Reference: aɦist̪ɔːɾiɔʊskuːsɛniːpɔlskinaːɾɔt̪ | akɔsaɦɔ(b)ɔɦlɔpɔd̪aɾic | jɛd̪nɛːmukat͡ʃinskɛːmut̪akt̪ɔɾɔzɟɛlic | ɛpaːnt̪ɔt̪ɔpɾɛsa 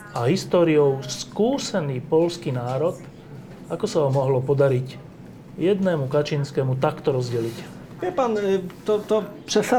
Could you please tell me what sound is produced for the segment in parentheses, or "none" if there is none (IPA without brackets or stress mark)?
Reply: m